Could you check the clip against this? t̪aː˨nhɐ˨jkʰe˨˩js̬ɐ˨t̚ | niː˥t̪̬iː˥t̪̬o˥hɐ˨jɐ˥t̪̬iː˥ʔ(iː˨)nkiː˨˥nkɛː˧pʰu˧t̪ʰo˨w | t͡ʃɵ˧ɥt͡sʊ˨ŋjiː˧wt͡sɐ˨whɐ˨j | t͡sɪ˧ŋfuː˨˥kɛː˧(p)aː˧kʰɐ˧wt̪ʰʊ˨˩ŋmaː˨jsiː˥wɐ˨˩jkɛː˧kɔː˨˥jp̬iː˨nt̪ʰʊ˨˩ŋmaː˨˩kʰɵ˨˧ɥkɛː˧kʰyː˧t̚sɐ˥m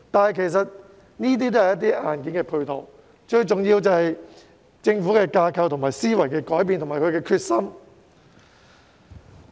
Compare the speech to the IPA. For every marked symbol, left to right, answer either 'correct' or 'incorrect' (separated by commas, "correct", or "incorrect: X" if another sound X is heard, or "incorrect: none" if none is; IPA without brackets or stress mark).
incorrect: aː˨, incorrect: k